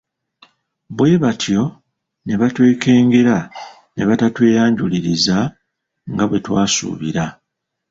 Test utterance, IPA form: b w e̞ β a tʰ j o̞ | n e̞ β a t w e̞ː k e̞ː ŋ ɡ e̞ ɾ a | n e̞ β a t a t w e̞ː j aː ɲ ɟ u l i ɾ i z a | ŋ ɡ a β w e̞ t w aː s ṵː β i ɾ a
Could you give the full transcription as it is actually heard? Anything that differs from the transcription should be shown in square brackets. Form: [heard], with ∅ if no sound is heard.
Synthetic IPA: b w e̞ β a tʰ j o̞ | n e̞ β a t w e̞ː k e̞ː ŋ ɡ e̞ ɾ a | n e̞ β a t a t w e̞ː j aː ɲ ɟ u l i ɾ i z a | ŋ ɡ a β w e̞ t w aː s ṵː β i ɾ a